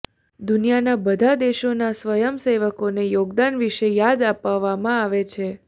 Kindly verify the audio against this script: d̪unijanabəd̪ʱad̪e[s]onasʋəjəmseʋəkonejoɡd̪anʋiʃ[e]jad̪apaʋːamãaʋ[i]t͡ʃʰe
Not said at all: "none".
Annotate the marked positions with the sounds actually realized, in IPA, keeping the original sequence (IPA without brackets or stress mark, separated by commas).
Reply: ʃ, e, e